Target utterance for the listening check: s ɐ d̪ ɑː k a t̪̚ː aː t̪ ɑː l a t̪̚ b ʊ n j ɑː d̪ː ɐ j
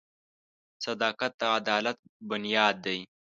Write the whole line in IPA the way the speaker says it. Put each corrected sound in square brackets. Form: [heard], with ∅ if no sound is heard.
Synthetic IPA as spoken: s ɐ d̪ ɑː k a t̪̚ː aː [d̪] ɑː l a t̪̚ b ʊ n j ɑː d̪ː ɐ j